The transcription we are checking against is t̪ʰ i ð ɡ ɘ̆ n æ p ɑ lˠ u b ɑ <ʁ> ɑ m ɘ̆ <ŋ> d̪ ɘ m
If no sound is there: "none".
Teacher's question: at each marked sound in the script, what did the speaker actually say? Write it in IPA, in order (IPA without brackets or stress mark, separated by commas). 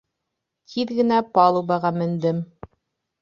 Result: ʁ, n